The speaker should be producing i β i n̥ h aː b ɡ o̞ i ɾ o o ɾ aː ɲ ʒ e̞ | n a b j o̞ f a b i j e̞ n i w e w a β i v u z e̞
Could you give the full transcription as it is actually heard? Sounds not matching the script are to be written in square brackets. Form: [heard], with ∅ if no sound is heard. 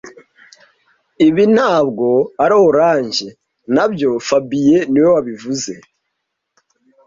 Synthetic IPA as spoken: i β i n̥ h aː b ɡ o̞ [a] ɾ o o ɾ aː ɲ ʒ e̞ | n a b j o̞ f a b i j e̞ n i w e w a β i v u z e̞